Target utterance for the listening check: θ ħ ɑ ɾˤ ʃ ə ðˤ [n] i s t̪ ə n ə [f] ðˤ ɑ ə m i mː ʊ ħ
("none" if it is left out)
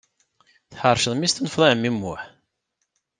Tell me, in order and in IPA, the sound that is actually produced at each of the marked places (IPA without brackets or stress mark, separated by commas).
m, f